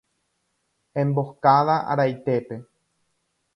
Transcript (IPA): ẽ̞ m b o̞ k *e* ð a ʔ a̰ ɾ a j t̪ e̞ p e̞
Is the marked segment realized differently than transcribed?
yes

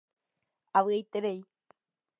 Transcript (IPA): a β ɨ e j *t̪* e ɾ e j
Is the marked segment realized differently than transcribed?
no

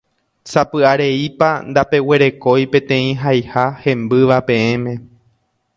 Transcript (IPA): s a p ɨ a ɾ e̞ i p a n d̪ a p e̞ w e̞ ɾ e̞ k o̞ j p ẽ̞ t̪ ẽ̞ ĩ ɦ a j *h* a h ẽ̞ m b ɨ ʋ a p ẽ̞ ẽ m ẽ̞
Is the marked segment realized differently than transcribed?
no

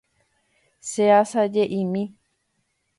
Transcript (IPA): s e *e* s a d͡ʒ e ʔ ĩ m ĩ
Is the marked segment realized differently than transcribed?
yes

